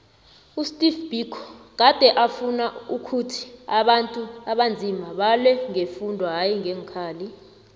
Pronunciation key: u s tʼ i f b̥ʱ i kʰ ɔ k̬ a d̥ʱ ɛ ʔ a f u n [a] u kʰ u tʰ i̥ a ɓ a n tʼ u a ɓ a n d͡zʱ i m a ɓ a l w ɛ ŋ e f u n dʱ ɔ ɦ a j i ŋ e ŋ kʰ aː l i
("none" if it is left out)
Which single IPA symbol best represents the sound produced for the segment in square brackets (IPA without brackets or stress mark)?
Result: a